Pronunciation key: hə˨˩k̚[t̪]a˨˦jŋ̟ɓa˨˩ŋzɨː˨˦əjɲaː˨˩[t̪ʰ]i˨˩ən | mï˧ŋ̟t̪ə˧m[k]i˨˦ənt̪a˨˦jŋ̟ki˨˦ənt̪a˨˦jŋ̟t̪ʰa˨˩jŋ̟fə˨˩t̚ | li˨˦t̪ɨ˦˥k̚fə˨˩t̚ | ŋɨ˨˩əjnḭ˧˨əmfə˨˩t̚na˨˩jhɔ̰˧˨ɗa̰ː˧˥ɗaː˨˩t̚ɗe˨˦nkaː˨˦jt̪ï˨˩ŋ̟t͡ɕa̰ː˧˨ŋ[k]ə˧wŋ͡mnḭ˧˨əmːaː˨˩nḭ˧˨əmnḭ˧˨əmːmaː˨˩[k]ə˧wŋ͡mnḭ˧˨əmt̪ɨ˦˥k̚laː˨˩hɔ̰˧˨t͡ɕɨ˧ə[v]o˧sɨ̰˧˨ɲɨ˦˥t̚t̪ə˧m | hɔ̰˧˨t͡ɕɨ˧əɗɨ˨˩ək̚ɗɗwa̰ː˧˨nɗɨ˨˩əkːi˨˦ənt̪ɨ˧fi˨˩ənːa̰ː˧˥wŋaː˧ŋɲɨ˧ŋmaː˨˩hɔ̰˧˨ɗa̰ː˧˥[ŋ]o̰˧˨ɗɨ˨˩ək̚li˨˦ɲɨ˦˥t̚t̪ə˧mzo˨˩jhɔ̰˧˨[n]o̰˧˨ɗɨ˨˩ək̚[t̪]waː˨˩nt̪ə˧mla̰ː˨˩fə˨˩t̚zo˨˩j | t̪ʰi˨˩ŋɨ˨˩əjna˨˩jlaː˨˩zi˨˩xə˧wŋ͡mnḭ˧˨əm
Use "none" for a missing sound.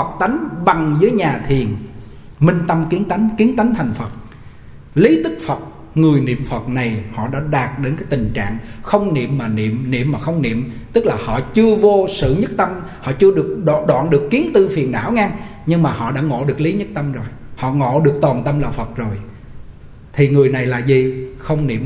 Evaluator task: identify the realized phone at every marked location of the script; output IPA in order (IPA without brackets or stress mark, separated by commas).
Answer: t̪, t̪ʰ, k, x, x, v, ŋ, ŋ, t̪